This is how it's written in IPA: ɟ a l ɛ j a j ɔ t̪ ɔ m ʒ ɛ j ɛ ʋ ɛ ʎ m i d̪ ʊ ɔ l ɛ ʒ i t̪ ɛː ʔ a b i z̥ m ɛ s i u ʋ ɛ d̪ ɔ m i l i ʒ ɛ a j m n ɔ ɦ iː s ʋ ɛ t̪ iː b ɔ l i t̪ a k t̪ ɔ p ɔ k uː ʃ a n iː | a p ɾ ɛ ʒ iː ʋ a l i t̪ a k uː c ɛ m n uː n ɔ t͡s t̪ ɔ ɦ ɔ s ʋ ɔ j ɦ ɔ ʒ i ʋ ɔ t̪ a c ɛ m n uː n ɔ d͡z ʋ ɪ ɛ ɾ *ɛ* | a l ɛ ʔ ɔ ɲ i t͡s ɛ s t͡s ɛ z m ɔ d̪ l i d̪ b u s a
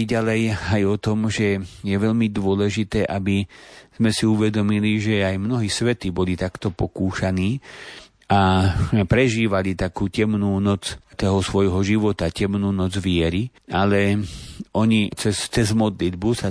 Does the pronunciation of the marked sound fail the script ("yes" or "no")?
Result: yes